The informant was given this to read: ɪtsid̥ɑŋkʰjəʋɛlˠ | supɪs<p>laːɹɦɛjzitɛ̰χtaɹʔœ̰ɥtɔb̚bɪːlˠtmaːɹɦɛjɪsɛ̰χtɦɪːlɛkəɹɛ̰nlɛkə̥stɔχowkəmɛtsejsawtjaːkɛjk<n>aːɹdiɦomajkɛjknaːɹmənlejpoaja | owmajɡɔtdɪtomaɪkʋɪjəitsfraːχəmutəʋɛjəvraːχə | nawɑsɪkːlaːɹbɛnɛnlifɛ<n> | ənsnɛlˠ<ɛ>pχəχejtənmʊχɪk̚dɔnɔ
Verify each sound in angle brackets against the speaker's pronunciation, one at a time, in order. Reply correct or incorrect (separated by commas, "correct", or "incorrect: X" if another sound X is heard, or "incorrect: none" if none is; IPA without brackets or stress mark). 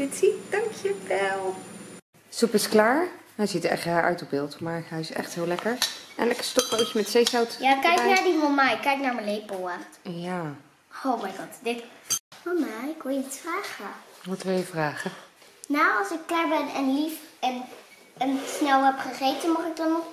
incorrect: k, correct, correct, correct